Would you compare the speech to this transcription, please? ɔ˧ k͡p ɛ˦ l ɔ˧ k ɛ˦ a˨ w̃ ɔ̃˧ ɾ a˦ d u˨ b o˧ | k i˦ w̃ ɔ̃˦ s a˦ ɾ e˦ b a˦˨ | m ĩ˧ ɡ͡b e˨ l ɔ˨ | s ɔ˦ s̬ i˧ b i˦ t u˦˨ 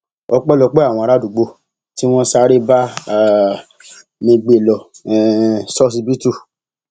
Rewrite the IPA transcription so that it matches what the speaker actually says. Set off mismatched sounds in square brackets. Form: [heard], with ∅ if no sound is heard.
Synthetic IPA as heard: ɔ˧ k͡p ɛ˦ l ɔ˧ [k͡p] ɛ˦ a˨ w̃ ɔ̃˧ ɾ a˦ d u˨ [ɡ͡b] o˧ | [t] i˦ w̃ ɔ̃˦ s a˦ ɾ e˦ b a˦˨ | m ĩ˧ ɡ͡b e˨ l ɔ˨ | s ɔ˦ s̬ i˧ b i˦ t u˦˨